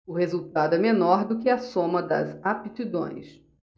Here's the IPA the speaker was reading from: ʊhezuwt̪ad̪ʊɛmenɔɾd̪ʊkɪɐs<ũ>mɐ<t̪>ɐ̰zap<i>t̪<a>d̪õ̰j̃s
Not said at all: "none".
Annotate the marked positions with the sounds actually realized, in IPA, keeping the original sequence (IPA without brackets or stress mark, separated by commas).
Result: õ, d̪, i, i